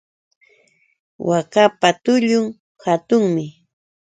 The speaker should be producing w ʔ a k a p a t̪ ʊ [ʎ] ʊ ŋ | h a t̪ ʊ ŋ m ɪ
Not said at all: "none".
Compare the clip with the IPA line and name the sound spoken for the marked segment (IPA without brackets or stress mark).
ʎ